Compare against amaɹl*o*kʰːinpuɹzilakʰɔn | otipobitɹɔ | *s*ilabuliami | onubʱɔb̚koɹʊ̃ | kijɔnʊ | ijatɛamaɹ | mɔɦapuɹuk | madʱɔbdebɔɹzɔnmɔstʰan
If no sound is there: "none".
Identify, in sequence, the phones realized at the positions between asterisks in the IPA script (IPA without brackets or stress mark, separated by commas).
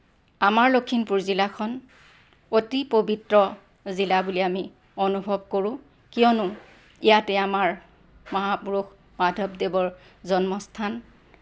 o, z